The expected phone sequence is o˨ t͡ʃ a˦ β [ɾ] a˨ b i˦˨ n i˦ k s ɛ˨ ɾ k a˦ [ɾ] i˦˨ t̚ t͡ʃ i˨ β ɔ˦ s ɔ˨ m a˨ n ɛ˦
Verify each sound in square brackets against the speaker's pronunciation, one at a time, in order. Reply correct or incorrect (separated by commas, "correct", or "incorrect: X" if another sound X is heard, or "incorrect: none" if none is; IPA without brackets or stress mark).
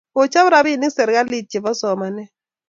correct, incorrect: l